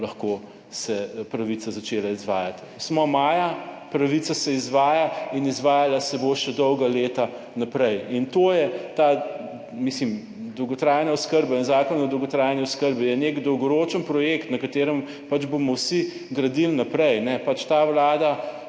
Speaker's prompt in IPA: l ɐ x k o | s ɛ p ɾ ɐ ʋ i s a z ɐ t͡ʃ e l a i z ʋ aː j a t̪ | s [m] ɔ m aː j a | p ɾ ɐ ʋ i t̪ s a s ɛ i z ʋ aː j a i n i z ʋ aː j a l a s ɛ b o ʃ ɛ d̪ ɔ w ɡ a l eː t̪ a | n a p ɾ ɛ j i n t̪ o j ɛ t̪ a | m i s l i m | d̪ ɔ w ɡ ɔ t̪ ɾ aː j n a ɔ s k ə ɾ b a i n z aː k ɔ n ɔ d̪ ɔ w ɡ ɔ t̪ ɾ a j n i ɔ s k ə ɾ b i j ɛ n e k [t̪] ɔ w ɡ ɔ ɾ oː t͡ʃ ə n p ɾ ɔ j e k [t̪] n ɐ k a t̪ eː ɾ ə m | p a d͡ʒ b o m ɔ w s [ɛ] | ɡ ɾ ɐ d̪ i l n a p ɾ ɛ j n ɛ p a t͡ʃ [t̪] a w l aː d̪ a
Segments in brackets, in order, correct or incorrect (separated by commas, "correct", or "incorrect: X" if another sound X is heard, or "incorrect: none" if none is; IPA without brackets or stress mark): correct, incorrect: d̪, correct, incorrect: i, correct